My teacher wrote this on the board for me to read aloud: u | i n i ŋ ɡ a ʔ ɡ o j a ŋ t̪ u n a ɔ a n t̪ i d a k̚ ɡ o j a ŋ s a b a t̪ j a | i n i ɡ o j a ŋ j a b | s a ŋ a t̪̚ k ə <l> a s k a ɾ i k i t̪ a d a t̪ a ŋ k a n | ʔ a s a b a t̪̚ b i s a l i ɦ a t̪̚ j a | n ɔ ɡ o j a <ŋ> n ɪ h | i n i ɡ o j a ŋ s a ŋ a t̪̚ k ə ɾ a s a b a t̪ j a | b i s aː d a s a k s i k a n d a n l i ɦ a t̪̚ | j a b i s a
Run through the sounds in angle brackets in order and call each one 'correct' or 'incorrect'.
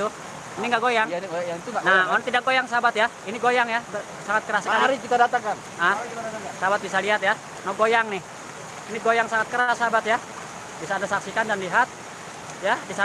incorrect: ɾ, correct

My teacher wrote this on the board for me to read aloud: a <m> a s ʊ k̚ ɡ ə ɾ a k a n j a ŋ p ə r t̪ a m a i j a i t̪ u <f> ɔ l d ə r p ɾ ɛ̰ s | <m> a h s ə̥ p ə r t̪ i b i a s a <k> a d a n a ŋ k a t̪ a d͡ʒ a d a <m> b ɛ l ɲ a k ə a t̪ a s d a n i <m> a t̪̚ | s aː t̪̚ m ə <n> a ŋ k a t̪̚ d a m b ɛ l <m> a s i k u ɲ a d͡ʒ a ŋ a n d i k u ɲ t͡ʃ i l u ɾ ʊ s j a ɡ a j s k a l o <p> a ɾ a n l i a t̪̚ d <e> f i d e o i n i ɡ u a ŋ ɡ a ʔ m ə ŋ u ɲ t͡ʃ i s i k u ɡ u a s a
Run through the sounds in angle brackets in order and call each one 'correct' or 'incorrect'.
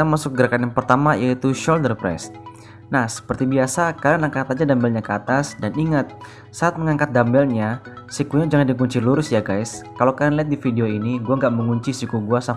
correct, incorrect: ʃ, incorrect: n, correct, correct, incorrect: ŋ, incorrect: ŋ, incorrect: ɲ, incorrect: k, incorrect: i

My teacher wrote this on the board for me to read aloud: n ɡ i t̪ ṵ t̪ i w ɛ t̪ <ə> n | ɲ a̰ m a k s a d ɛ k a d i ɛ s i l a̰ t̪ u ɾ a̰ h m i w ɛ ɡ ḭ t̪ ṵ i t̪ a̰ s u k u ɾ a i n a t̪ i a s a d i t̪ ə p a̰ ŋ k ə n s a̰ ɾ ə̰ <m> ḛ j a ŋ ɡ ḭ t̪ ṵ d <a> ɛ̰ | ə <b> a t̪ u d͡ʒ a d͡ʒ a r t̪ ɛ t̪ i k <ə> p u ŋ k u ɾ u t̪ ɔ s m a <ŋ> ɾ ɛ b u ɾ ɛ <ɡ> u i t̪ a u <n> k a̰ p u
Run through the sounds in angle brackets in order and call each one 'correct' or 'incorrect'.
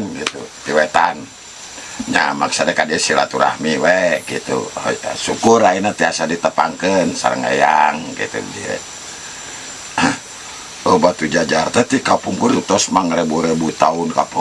incorrect: a, incorrect: ŋ, incorrect: i, correct, incorrect: a, correct, incorrect: b, correct

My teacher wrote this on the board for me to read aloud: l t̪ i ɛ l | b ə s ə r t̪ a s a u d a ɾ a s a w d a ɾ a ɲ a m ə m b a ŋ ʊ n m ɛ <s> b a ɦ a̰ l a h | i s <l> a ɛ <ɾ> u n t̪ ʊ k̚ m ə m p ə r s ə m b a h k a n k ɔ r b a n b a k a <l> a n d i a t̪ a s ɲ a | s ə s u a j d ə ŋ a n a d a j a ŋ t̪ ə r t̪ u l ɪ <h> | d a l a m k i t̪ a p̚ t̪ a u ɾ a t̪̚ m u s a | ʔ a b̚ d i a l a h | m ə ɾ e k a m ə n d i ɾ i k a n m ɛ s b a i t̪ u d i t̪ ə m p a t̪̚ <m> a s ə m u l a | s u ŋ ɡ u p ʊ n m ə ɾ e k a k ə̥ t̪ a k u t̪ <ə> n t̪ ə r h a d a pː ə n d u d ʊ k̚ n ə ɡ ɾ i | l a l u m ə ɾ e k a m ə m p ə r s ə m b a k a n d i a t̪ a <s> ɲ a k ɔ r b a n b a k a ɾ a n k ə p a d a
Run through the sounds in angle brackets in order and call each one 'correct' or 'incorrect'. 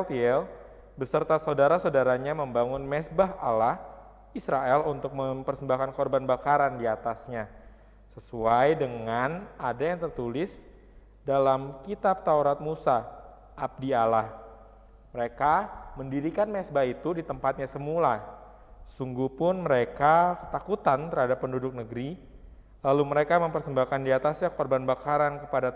correct, incorrect: ɾ, incorrect: l, incorrect: ɾ, incorrect: s, incorrect: ɲ, incorrect: a, correct

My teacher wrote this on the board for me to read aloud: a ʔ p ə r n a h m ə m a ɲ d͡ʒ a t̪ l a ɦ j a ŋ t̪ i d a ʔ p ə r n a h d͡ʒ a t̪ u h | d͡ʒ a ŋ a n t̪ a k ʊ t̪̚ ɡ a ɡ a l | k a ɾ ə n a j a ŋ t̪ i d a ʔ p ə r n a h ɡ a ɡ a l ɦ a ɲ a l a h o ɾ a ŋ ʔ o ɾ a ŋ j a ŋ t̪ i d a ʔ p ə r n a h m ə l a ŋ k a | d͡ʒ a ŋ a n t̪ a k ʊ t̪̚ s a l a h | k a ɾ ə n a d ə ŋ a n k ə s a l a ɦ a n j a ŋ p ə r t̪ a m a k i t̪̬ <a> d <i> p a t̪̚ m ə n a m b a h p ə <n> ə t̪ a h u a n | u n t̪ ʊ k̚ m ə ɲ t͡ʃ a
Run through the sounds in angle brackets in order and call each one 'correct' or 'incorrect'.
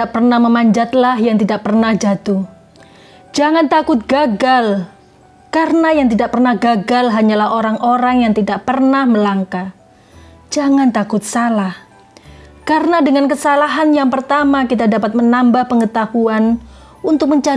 correct, incorrect: a, incorrect: ŋ

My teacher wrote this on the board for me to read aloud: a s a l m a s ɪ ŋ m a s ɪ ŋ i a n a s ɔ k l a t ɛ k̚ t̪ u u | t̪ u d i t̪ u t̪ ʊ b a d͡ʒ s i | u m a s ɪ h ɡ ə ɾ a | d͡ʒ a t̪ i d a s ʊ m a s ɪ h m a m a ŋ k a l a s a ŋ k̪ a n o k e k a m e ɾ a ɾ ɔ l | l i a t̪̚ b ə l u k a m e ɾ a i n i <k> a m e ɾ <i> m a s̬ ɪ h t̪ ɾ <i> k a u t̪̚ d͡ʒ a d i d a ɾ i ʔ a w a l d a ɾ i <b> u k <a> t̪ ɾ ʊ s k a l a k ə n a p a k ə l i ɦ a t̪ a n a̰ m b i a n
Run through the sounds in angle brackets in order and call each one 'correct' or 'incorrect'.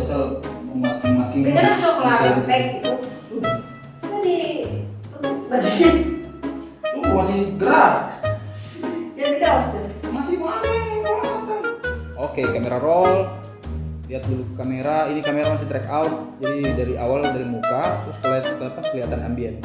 correct, incorrect: a, incorrect: ɛ, incorrect: m, correct

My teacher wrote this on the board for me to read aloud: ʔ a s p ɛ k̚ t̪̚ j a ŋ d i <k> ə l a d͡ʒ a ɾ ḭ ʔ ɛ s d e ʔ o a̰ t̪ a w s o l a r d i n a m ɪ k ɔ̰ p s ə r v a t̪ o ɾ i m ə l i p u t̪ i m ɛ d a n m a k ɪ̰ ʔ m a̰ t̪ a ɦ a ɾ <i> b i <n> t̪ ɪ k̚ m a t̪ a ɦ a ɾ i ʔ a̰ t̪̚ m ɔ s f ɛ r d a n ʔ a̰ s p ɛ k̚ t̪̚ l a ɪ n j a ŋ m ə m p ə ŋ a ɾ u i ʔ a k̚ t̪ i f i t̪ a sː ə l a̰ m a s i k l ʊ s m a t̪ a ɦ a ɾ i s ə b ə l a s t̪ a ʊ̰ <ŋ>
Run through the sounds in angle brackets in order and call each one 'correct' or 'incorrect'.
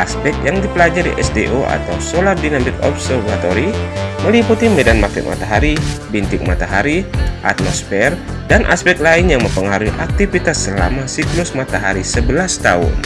incorrect: p, correct, correct, incorrect: n

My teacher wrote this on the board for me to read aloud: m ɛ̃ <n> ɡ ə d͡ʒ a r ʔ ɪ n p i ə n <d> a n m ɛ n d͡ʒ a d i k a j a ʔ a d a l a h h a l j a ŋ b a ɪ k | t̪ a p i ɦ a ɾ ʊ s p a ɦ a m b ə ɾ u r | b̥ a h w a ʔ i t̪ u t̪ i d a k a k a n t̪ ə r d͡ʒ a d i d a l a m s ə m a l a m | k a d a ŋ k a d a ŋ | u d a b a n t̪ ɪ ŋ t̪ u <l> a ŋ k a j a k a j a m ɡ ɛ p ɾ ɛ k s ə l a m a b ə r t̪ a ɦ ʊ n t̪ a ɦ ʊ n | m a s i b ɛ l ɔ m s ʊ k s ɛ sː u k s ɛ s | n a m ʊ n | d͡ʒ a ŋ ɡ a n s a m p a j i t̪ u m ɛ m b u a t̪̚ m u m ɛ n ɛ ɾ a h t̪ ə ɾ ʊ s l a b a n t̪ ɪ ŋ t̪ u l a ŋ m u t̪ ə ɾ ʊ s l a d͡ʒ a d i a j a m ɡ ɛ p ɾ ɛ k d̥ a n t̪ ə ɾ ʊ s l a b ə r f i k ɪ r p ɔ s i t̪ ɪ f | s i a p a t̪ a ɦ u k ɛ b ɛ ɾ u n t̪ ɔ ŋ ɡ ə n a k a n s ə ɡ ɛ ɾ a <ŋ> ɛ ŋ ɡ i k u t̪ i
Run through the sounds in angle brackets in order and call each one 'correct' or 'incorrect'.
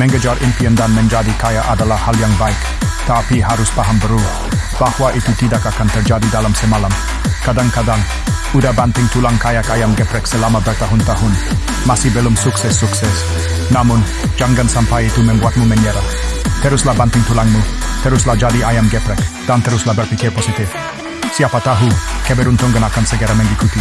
incorrect: ŋ, correct, correct, incorrect: m

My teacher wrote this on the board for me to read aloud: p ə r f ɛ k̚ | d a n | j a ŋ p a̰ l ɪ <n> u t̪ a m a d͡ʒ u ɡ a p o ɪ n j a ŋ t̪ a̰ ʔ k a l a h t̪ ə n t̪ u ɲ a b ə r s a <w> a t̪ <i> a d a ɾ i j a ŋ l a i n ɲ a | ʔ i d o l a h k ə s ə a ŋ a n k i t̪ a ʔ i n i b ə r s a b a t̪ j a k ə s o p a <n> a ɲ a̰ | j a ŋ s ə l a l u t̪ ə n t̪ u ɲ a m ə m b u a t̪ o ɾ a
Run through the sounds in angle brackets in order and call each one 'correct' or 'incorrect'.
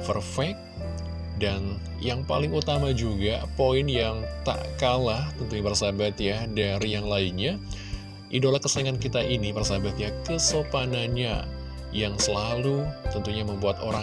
incorrect: ŋ, incorrect: b, incorrect: j, correct

